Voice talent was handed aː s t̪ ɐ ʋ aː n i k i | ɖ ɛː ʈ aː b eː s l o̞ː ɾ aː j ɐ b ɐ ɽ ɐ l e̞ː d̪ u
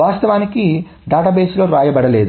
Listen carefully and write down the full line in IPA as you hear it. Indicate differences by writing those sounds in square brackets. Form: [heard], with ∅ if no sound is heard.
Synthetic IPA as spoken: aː s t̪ ɐ ʋ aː n i k i | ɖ [aː] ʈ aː b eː s l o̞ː ɾ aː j ɐ b ɐ ɽ ɐ l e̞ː d̪ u